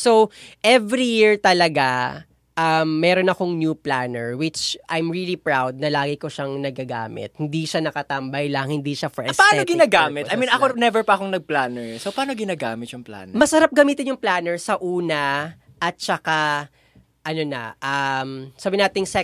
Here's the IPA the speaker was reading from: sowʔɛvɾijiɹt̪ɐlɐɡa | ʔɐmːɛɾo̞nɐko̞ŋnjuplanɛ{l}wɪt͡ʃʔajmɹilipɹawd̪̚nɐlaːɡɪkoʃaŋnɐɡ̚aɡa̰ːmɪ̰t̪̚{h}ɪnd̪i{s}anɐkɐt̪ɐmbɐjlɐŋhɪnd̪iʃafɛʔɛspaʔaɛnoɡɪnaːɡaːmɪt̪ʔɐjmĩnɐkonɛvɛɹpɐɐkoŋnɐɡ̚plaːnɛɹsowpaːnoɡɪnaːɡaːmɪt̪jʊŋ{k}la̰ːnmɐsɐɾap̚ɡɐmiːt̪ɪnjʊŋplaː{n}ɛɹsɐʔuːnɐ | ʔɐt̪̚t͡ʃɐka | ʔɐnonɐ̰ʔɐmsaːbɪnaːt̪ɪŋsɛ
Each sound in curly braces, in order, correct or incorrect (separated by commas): incorrect, correct, incorrect, incorrect, correct